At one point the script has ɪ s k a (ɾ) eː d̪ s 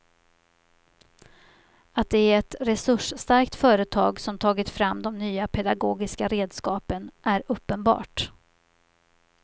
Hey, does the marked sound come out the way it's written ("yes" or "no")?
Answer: yes